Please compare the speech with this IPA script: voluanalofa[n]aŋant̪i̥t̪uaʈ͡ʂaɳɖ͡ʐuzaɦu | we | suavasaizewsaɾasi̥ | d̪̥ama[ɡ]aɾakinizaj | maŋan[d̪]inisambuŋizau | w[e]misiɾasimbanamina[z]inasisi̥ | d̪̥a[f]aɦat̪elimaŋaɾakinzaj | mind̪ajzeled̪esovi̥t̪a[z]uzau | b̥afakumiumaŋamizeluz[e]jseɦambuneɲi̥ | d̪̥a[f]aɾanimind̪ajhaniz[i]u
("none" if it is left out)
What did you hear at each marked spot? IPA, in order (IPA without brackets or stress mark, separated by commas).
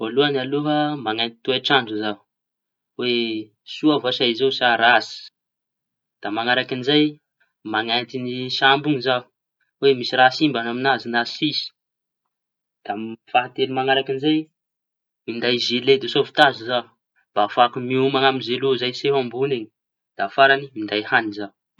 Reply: m, ŋ, t̪, e, z, f, z, a, f, a